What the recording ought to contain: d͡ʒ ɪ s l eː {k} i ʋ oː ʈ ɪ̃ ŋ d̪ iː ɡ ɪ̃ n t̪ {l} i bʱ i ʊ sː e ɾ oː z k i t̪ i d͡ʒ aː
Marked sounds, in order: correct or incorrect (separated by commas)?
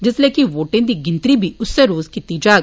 correct, incorrect